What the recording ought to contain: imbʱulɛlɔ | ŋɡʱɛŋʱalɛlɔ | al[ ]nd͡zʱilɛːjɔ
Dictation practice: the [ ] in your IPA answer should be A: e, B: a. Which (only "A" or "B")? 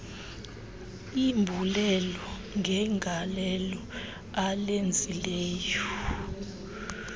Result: A